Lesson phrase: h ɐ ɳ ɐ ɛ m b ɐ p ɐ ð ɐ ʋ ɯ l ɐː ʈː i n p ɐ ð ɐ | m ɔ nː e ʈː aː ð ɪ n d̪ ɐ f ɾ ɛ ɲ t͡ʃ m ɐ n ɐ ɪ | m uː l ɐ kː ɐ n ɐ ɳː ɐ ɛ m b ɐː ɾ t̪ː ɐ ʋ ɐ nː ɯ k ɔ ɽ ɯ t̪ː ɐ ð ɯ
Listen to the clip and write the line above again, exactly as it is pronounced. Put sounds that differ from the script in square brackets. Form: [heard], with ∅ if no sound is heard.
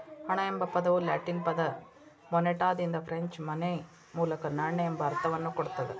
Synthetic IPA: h ɐ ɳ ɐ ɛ m b ɐ p ɐ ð ɐ ʋ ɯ l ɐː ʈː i n p ɐ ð ɐ | m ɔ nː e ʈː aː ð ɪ n d̪ ɐ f ɾ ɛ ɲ t͡ʃ m ɐ n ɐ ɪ | m uː l ɐ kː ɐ n ɐ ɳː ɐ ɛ m b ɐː ɾ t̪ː ɐ ʋ ɐ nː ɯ k ɔ ɽ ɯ t̪ː ɐ ð ɯ